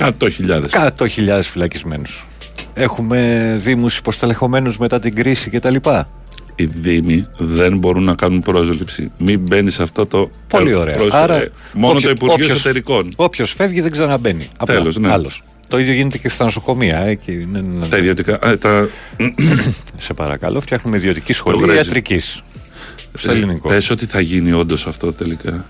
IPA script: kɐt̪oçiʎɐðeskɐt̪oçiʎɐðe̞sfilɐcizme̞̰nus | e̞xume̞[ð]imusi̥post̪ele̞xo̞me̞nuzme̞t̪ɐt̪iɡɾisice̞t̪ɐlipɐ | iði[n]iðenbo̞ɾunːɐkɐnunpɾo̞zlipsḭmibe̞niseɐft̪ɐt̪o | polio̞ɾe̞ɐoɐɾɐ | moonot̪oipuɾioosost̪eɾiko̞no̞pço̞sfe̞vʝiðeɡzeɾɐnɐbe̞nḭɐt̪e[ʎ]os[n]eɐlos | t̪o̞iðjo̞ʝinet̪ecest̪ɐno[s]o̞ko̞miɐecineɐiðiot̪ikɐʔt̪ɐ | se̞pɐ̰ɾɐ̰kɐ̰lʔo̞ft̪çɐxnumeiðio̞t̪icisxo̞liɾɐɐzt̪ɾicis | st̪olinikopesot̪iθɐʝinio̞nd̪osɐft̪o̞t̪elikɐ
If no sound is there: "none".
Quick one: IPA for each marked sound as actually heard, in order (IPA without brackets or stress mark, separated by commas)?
ð, m, l, n, s